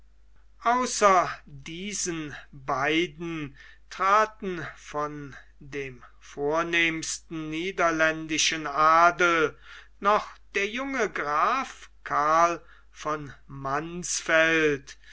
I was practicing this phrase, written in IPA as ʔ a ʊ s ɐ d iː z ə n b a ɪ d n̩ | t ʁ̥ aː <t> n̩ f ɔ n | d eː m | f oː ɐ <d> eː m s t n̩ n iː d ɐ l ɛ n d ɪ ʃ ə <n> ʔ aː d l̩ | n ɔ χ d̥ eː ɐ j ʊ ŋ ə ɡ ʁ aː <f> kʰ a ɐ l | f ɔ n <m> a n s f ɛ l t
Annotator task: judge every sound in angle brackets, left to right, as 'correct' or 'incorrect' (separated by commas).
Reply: correct, incorrect, correct, correct, correct